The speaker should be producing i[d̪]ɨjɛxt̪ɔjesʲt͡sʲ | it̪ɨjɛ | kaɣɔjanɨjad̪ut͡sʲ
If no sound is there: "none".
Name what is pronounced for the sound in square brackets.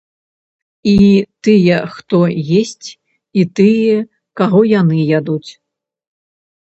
t̪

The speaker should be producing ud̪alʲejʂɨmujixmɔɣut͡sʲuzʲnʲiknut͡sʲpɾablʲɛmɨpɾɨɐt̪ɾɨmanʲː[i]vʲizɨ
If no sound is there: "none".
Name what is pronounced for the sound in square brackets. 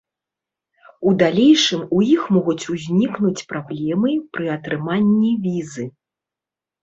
i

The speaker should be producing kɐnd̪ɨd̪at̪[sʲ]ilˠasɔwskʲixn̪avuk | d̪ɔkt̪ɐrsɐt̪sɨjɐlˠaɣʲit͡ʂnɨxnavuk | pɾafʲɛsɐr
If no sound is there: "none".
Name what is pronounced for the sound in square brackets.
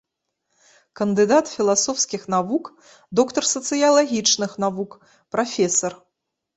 fʲ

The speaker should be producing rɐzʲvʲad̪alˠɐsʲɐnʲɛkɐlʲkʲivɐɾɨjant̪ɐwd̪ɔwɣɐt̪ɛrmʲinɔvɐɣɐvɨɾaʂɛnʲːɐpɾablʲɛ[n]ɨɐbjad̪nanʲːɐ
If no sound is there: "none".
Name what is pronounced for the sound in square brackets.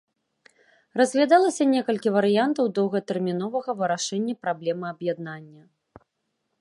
m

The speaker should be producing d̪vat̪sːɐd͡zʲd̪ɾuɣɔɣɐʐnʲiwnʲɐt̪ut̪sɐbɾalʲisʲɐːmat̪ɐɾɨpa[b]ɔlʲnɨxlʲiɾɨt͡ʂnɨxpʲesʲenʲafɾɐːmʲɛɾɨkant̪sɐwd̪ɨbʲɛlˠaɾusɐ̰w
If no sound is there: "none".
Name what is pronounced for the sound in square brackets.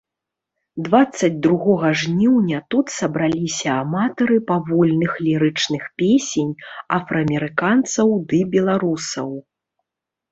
v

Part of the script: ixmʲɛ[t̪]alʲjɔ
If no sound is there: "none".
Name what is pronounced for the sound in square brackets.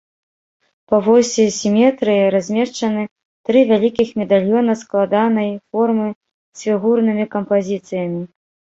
d̪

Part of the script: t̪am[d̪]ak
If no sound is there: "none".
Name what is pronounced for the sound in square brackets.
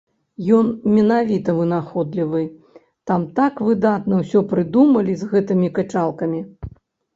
t̪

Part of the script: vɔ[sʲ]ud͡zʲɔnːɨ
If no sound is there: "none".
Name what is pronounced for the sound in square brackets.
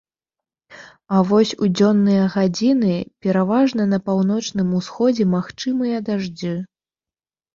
sʲ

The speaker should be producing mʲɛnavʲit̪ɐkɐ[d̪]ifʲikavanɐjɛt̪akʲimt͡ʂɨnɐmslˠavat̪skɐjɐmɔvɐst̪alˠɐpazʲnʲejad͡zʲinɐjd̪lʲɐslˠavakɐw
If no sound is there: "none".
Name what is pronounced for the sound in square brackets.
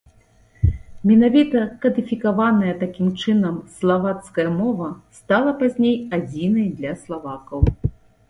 d̪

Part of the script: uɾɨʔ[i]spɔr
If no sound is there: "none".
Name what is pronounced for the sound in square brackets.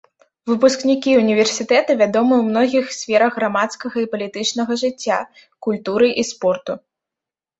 i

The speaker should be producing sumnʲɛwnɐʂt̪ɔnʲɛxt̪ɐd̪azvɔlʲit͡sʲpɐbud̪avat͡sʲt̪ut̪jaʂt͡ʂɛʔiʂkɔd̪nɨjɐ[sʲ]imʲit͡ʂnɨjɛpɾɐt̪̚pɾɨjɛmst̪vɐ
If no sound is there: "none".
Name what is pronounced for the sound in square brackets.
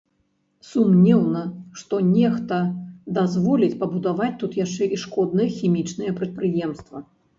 xʲ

